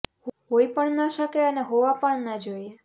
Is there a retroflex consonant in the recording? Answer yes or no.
yes